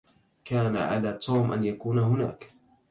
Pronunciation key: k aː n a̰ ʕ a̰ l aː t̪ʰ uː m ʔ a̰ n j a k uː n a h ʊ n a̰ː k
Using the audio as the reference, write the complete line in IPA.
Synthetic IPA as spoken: k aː n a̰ ʕ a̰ l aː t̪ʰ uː m ʔ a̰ n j a k uː n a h ʊ n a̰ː k